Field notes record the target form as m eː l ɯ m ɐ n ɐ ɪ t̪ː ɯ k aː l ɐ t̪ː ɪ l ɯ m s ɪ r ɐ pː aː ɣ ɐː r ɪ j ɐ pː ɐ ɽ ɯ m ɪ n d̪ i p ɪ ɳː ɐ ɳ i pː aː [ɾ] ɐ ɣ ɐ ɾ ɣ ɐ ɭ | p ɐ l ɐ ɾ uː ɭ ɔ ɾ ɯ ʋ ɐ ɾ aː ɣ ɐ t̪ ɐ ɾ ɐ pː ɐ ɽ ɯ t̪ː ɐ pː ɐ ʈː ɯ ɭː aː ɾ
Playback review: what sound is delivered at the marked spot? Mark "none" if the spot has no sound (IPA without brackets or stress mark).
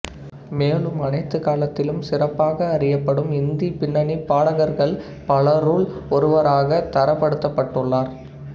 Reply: ɽ